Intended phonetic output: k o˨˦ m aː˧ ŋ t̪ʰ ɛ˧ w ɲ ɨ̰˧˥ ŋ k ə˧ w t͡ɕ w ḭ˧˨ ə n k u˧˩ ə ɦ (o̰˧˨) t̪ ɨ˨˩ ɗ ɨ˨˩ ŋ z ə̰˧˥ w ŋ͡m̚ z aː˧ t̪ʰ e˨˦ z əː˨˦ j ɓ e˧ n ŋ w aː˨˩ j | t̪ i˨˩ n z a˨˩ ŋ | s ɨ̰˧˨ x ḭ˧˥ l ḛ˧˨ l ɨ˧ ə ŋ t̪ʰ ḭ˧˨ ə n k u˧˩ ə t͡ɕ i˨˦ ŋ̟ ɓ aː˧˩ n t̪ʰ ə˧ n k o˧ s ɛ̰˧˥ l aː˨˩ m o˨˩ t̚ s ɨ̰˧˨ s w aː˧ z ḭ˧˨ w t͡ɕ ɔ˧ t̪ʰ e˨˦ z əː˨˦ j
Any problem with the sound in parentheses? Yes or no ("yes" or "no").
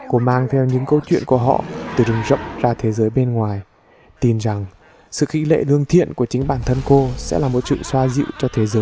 yes